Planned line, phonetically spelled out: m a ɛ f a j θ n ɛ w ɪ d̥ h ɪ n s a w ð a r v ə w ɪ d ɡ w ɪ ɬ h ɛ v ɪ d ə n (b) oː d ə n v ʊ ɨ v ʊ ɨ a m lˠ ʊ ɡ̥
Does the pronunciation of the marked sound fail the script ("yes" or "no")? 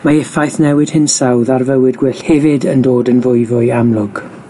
yes